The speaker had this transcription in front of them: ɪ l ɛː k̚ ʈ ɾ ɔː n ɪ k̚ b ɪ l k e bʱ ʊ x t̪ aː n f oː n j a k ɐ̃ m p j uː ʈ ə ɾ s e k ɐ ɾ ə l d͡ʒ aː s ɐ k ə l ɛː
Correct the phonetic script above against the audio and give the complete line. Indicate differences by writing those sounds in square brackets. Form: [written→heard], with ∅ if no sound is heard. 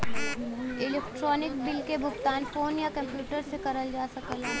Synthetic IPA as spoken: ɪ l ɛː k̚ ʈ ɾ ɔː n ɪ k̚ b ɪ l k e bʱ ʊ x t̪ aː n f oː n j a k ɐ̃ m p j uː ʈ ə ɾ s e k ɐ ɾ ə l d͡ʒ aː s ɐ k ə l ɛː